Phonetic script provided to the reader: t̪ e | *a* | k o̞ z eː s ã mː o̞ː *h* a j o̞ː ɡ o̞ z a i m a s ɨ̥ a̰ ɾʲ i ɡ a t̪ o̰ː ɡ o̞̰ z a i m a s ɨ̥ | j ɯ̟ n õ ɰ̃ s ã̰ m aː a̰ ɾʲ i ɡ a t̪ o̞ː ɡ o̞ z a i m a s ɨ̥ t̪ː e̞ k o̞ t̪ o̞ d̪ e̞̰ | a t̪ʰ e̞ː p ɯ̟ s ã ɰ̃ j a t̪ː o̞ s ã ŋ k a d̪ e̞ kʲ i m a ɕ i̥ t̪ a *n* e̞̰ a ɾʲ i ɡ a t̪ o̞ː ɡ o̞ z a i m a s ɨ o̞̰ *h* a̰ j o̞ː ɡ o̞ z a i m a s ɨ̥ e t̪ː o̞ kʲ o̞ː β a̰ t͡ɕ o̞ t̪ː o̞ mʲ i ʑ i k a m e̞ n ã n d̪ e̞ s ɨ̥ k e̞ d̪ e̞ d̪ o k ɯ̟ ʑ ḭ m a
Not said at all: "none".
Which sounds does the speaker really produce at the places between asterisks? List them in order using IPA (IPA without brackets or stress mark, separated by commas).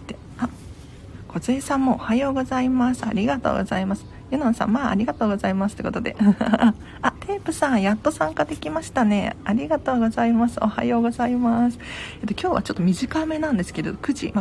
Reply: a, h, n, h